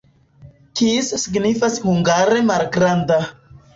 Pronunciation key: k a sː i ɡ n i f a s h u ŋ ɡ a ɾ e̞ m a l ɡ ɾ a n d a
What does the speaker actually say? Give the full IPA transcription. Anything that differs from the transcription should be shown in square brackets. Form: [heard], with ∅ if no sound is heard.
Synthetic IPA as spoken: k [i] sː i ɡ n i f a s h u ŋ ɡ a ɾ e̞ m a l ɡ ɾ a n d a